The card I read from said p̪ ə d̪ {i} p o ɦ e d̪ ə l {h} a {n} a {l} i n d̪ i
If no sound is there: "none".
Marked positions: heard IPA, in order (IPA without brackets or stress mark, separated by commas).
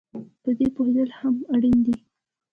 e, h, m, ɽ